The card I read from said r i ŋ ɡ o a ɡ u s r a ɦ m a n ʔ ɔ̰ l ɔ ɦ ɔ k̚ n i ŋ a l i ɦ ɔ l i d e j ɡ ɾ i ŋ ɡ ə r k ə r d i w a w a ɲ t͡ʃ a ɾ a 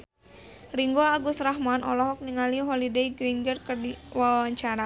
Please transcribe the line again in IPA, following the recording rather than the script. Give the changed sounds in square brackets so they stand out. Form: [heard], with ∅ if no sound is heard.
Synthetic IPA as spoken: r i ŋ ɡ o a ɡ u s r a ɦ m a n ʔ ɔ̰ l ɔ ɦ ɔ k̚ n i ŋ a l i ɦ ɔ l i d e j ɡ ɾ i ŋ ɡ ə r k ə r d i w a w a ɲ t͡ʃ a ɾ a